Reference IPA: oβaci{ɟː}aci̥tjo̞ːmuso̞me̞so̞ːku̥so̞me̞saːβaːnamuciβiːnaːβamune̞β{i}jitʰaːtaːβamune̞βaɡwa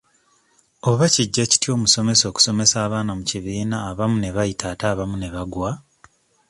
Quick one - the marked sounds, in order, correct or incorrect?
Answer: correct, incorrect: a

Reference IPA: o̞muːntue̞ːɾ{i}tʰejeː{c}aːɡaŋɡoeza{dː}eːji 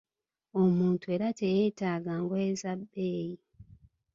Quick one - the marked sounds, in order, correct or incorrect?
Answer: incorrect: a, incorrect: t, incorrect: bː

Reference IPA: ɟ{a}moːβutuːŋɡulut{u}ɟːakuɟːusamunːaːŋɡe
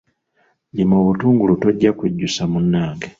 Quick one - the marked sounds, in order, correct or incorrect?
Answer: incorrect: i, incorrect: o

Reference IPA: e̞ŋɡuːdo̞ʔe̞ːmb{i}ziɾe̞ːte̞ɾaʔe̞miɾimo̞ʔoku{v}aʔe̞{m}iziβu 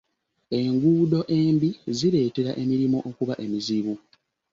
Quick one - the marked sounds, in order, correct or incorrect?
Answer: correct, incorrect: β, correct

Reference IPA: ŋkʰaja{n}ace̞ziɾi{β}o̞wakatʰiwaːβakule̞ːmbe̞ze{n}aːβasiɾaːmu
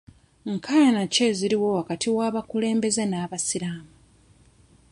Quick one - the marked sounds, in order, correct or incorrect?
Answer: correct, incorrect: w, correct

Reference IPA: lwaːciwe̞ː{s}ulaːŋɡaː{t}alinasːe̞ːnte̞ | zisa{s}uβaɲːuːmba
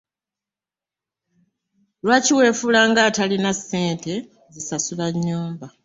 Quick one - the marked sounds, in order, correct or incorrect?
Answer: incorrect: f, correct, correct

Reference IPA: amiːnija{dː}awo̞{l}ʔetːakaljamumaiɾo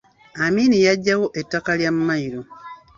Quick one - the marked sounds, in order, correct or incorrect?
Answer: incorrect: ɟː, incorrect: none

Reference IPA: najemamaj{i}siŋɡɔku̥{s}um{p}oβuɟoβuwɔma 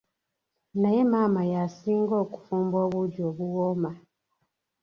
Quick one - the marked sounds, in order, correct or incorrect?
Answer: incorrect: a, incorrect: f, incorrect: b

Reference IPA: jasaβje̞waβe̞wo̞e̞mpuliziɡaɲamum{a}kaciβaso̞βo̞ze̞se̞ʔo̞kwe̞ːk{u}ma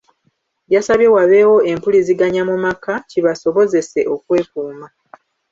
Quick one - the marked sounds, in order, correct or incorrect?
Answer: correct, incorrect: uː

